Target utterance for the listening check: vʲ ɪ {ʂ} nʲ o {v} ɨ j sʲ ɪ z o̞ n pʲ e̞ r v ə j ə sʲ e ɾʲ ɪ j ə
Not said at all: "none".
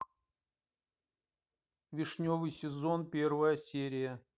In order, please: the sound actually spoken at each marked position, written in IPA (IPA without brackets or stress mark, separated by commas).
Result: ʂ, v